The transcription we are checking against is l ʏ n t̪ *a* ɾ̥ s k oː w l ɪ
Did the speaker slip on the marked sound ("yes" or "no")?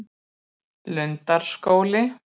no